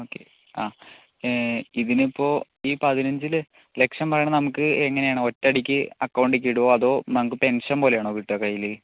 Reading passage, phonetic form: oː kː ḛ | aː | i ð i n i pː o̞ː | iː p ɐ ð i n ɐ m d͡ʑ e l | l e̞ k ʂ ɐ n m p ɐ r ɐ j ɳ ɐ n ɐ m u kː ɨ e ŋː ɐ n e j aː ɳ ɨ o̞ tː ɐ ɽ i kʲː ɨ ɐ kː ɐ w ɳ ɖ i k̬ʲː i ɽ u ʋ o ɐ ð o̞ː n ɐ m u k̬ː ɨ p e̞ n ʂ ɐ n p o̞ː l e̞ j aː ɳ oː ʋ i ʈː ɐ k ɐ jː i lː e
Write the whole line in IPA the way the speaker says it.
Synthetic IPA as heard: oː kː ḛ | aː | i ð i n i pː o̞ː | iː p ɐ ð i n ɐ ɲ d͡ʑ i l | l e̞ k ʂ ɐ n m p ɐ r ɐ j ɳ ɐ n ɐ m u kː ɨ e ŋː ɐ n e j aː ɳ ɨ o̞ tː ɐ ɽ i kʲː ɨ ɐ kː ɐ w ɳ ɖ i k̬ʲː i ɽ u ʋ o ɐ ð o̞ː n ɐ m u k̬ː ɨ p e̞ n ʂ ɐ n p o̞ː l e̞ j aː ɳ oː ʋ i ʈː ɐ k ɐ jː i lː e